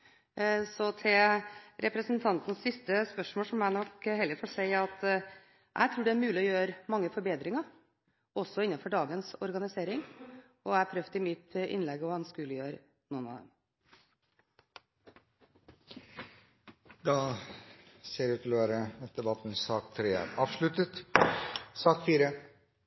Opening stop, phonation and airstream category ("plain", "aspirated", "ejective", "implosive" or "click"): aspirated